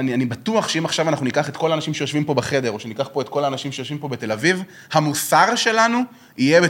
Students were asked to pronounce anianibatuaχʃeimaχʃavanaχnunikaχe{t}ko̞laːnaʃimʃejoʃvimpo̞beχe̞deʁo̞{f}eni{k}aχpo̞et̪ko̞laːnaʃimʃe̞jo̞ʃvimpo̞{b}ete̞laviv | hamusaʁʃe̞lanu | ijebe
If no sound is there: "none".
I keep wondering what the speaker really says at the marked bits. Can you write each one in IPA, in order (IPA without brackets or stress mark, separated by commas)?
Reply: t, ʃ, k, b